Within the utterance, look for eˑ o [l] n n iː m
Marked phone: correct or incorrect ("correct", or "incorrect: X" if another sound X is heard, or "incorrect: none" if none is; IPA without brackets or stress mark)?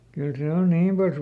incorrect: none